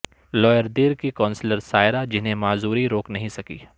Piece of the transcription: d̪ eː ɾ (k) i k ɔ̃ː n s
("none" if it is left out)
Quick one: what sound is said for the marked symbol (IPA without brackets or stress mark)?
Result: k